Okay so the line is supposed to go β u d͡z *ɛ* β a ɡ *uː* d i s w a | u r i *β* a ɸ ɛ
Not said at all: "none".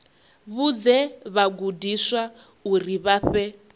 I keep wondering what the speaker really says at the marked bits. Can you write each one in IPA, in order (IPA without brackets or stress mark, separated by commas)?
ɛ, u, β